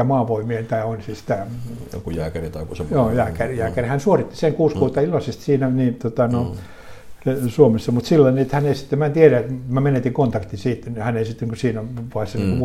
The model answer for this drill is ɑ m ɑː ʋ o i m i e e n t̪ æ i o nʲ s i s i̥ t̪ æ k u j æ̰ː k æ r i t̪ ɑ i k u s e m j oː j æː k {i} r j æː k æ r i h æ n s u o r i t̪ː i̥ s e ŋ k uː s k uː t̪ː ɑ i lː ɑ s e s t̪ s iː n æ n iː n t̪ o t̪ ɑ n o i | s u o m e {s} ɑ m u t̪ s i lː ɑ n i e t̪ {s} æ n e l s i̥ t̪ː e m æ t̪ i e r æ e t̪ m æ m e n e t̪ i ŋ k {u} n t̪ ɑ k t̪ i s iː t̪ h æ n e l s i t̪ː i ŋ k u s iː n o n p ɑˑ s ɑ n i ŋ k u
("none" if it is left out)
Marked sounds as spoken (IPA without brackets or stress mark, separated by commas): æ, sː, h, o